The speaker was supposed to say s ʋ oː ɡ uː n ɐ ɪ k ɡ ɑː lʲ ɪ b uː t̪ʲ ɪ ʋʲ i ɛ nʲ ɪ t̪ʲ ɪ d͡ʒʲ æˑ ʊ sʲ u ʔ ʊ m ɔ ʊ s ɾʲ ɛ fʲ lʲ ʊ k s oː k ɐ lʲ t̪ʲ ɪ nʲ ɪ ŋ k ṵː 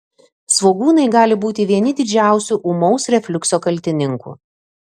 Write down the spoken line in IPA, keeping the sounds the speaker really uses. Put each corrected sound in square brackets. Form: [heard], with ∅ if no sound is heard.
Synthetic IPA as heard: s ʋ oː ɡ uː n ɐ ɪ [∅] ɡ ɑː lʲ ɪ b uː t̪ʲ ɪ ʋʲ i ɛ nʲ ɪ [d̪ʲ] ɪ d͡ʒʲ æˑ ʊ sʲ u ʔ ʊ m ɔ ʊ s ɾʲ ɛ fʲ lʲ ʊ k s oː k ɐ lʲ t̪ʲ ɪ nʲ ɪ ŋ k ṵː